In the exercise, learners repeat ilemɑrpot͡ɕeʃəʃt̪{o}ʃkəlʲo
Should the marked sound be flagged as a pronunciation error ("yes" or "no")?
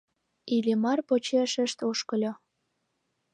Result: no